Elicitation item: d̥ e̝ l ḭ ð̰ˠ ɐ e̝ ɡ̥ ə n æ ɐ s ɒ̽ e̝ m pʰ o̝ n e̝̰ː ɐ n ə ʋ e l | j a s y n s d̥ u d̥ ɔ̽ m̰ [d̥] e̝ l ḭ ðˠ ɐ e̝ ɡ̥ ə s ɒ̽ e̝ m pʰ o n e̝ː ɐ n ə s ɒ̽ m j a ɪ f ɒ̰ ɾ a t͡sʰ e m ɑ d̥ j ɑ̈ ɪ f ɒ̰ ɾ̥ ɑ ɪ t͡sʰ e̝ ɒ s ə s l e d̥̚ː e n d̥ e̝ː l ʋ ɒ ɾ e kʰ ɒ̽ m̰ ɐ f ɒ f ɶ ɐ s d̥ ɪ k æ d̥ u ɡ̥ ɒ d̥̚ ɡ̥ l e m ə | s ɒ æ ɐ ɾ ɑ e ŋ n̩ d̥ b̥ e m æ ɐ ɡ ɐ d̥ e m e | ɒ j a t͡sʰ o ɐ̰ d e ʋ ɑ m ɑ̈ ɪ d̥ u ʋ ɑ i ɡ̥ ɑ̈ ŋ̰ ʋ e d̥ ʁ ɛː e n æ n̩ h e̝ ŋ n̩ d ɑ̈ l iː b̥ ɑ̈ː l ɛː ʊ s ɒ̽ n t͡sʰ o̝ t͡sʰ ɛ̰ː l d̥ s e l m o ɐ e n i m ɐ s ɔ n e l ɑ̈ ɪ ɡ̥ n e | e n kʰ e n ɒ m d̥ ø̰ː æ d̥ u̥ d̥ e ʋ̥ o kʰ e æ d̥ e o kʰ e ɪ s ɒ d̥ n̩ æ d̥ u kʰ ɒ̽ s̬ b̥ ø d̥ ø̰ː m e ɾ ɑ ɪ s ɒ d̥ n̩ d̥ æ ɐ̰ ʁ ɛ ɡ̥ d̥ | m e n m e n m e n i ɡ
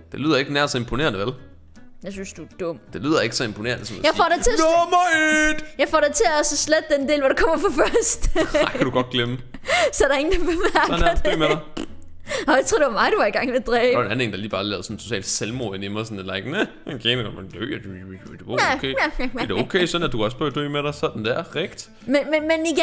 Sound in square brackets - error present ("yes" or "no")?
no